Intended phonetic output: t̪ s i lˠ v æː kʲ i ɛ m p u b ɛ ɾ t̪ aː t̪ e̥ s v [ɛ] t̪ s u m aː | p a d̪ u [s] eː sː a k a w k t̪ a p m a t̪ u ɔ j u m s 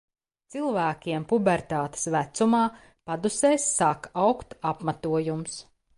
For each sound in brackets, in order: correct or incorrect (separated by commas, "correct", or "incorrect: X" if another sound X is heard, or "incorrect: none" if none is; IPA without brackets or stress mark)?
incorrect: æ, correct